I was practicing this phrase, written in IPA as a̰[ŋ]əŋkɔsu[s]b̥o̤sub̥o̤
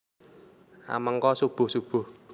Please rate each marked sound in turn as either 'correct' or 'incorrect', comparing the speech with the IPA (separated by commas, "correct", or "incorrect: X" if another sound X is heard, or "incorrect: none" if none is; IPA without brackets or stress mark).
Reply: incorrect: m, incorrect: none